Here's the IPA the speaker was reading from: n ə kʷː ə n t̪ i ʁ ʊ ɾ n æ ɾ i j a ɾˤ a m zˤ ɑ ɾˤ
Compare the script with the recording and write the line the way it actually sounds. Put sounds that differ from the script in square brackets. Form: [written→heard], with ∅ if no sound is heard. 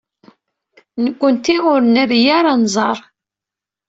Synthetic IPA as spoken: n ə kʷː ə n t̪ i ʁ ʊ ɾ n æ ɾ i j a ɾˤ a [m→n] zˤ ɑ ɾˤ